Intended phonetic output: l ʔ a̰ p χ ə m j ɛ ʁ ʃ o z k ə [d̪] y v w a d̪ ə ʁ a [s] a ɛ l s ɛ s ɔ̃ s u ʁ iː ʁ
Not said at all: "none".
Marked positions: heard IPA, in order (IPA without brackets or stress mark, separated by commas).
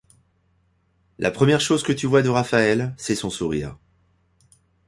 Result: t̪, f